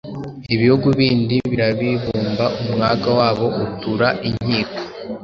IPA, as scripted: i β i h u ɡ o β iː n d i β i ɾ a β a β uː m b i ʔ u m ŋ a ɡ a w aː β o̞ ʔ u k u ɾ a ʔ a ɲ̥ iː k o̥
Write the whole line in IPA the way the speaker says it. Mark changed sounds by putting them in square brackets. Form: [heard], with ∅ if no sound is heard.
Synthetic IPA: i β i h u ɡ [u] β iː n d i β i ɾ a β [i] β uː m b [a] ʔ u m ŋ a ɡ a w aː β o̞ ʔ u [t] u ɾ a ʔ [i] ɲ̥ iː k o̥